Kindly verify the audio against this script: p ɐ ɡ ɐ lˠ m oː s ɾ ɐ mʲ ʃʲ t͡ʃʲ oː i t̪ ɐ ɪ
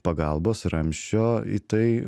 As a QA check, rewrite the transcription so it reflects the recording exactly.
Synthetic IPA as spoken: p ɐ ɡ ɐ lˠ b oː s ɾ ɐ mʲ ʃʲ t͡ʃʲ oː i t̪ ɐ ɪ